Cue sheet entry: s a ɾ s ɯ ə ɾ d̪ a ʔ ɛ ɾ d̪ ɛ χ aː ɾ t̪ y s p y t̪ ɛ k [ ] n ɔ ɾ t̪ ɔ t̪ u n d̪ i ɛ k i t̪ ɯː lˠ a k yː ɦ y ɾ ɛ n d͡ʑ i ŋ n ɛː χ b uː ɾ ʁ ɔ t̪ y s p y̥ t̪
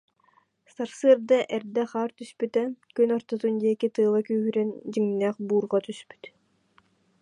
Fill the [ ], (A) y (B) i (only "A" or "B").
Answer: A